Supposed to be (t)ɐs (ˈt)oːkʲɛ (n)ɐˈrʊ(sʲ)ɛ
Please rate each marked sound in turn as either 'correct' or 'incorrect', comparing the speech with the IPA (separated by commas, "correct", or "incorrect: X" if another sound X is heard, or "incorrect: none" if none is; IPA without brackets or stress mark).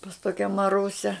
incorrect: p, correct, incorrect: m, correct